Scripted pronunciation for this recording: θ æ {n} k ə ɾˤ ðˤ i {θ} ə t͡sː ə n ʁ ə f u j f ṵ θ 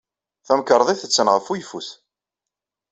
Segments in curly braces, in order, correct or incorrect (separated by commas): incorrect, correct